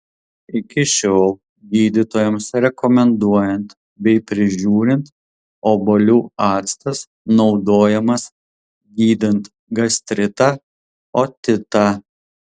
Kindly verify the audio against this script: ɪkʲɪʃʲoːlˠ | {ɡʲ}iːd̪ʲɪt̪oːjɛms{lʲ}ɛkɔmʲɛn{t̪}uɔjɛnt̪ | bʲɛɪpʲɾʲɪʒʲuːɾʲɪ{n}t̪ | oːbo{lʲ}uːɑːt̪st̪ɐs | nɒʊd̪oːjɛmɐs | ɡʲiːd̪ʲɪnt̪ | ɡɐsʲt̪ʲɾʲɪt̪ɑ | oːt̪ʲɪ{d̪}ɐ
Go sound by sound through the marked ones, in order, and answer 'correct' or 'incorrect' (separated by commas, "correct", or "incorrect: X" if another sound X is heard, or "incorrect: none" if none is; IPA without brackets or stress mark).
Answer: correct, incorrect: ɾʲ, incorrect: d̪, correct, correct, incorrect: t̪